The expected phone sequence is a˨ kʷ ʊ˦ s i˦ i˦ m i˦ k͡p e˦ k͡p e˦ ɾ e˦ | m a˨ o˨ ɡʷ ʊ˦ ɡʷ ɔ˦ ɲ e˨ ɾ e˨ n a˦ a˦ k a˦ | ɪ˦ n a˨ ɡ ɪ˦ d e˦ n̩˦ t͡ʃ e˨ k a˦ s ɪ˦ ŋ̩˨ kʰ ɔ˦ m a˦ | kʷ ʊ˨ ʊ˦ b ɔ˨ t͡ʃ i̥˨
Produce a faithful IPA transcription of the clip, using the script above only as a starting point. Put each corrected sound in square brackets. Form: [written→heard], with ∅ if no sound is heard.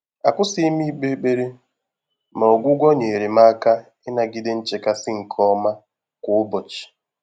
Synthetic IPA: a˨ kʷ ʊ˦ s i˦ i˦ m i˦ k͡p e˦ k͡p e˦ ɾ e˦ | m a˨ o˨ ɡʷ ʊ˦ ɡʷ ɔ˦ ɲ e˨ ɾ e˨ [n→m] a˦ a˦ k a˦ | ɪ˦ n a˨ ɡ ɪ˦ d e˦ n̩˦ t͡ʃ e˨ k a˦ s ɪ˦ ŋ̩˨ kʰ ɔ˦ m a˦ | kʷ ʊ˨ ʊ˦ b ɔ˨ t͡ʃ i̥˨